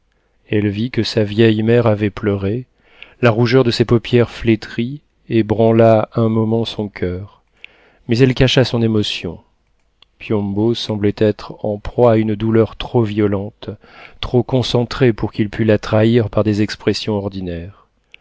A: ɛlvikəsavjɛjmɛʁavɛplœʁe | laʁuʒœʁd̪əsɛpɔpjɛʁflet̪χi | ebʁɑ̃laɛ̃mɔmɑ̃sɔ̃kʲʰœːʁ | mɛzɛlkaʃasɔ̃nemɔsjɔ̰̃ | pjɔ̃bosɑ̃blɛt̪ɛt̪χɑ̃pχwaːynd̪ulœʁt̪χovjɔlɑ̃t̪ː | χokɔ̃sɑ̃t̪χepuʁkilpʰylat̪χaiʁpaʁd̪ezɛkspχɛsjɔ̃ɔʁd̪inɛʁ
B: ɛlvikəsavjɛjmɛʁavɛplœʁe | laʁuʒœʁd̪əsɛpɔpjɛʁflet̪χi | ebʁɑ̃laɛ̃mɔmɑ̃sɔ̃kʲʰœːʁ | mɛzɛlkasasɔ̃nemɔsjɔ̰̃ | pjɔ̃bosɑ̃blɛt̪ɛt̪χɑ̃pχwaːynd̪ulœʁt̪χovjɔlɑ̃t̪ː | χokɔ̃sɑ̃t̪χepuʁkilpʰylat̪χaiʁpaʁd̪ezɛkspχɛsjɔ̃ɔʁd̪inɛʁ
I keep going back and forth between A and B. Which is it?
A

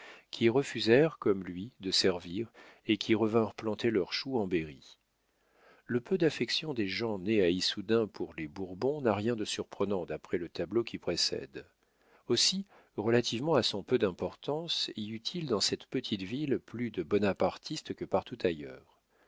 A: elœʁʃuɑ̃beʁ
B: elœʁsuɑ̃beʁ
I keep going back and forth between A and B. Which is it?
A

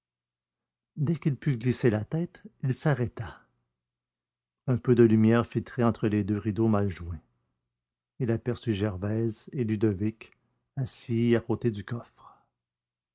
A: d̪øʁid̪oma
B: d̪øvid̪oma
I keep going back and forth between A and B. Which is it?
A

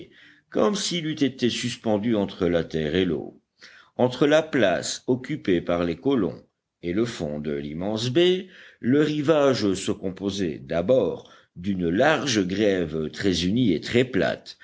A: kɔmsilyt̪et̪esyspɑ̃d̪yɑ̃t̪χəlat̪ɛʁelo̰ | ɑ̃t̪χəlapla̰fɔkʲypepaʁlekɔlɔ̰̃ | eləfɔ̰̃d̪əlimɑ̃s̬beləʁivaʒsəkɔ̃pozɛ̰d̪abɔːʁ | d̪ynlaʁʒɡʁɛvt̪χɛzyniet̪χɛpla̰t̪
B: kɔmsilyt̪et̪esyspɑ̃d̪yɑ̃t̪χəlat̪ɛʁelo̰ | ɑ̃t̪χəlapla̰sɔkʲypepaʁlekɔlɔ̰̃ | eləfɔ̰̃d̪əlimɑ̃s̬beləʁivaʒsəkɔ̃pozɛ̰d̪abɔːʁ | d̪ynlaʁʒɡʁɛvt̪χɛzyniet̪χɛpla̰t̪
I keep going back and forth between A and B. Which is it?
B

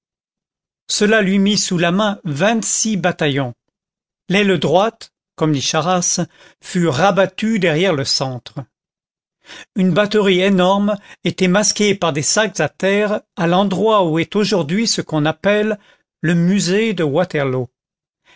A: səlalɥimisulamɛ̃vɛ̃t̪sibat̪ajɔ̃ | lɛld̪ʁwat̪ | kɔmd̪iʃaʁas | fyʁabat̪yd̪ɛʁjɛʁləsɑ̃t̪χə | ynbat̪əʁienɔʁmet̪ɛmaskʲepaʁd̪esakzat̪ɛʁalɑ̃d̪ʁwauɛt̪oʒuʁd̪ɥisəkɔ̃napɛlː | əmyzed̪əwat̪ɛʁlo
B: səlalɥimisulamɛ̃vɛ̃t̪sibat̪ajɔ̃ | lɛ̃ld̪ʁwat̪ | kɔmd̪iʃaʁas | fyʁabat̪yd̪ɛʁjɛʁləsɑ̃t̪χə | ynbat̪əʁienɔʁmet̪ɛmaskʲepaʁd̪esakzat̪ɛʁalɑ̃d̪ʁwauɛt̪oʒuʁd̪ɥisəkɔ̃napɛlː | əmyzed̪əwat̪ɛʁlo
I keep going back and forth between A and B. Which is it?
A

